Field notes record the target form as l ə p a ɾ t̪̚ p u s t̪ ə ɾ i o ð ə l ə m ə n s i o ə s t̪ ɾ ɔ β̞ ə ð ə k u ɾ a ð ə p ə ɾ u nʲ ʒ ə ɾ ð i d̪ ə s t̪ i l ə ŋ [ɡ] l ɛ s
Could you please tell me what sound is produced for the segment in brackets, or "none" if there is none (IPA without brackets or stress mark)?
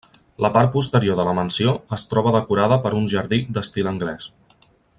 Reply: ɡ